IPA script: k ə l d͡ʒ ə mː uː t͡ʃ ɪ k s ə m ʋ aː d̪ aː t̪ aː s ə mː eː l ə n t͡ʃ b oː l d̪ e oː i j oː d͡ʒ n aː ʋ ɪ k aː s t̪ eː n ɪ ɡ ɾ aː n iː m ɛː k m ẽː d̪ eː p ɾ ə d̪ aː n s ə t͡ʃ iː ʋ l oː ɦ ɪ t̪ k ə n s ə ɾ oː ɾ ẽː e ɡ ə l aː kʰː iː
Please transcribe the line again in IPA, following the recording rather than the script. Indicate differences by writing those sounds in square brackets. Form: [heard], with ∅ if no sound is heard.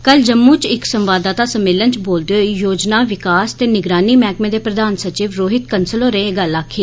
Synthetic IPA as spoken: k ə l d͡ʒ ə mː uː t͡ʃ ɪ k s ə m ʋ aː d̪ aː t̪ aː s ə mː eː l ə n t͡ʃ b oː l d̪ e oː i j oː d͡ʒ n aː ʋ ɪ k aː s t̪ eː n ɪ ɡ ɾ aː n iː m ɛː k m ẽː d̪ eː p ɾ ə d̪ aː n s ə t͡ʃ iː ʋ [ɾ] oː ɦ ɪ t̪ k ə n s ə [l] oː ɾ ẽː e ɡ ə l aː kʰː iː